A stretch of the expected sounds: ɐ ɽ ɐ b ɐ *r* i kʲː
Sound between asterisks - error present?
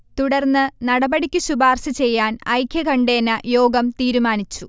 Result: yes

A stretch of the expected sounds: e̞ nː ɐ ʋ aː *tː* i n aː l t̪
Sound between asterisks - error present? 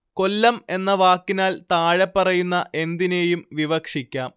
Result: yes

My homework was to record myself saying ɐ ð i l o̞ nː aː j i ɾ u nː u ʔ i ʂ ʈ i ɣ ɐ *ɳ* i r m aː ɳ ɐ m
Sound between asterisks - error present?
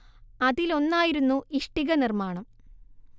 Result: yes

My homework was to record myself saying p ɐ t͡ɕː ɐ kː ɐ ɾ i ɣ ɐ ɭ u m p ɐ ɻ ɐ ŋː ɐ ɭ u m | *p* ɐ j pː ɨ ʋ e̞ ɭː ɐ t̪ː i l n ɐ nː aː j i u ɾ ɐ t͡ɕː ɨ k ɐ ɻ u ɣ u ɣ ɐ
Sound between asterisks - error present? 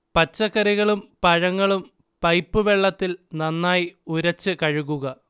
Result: no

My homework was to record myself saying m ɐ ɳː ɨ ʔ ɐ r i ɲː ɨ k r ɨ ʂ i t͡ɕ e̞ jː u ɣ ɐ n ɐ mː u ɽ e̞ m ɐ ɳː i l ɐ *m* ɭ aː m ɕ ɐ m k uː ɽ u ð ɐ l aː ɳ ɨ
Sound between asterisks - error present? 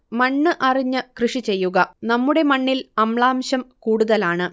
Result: no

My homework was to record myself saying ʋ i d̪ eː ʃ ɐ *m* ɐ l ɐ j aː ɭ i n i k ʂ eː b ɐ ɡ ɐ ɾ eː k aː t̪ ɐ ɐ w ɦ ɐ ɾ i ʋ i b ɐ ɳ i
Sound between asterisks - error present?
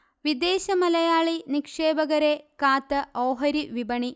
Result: no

